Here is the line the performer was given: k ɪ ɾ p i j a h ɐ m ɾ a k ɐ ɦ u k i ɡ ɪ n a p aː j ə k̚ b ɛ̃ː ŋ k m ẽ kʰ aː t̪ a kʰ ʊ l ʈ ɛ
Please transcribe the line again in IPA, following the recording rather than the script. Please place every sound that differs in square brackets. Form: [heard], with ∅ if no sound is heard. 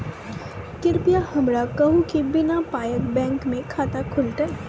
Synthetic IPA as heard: k ɪ ɾ p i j a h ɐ m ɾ a k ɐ ɦ u k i [b] ɪ n a p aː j ə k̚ b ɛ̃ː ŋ k m ẽ kʰ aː t̪ a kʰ ʊ l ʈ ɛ